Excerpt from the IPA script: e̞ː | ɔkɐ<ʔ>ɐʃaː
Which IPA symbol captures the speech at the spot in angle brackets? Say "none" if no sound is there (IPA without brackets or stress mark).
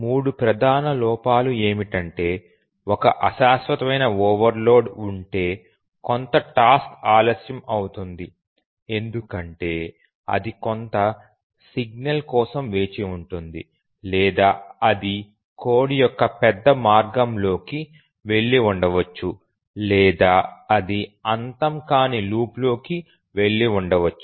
ʔ